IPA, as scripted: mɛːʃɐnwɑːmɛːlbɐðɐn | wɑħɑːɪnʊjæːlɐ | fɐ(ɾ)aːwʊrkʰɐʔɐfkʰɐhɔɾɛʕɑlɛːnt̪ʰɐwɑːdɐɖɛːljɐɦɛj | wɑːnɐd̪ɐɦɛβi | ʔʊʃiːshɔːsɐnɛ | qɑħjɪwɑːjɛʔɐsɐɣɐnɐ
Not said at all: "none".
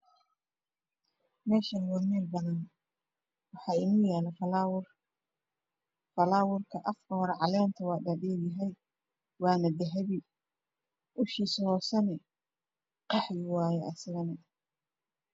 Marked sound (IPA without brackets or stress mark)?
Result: l